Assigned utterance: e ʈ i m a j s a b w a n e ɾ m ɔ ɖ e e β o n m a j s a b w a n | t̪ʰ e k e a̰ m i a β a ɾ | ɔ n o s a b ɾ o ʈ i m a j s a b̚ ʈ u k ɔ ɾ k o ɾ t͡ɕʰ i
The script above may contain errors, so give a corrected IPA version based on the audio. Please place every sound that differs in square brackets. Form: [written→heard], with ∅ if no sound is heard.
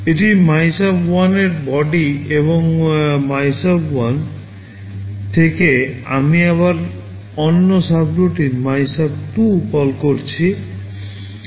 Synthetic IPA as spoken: e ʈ i m a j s a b w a n e ɾ [m→b] ɔ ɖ [e→i] e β o [n→ŋ] m a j s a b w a n | t̪ʰ e k e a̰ m i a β a ɾ | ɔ [n→nː] o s a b ɾ o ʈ i m a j s a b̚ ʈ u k ɔ [ɾ→l] k o ɾ t͡ɕʰ i